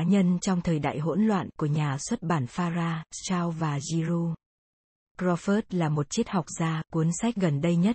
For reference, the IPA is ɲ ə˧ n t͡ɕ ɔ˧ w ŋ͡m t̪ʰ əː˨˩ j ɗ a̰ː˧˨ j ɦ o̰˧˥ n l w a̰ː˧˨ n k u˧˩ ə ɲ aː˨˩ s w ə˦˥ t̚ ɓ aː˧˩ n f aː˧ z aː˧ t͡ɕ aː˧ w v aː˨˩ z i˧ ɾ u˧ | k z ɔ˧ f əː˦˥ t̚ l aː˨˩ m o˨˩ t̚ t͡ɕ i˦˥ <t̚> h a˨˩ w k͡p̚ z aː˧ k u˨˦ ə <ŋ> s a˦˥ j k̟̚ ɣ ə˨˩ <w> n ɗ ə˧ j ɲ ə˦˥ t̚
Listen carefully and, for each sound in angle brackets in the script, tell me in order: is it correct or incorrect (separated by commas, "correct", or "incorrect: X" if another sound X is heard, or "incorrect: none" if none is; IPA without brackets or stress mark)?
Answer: correct, incorrect: n, incorrect: none